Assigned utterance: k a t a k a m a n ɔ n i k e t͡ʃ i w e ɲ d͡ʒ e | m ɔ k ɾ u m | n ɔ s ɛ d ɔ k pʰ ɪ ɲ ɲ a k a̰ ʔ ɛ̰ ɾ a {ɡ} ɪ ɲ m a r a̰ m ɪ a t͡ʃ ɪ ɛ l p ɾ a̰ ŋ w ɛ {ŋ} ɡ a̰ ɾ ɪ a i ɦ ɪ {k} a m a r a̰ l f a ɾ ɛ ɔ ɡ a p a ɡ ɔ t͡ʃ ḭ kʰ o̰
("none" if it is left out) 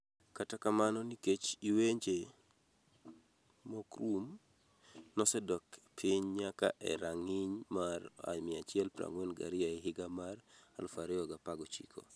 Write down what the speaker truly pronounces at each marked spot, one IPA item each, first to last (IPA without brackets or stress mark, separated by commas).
ŋ, n, ɡ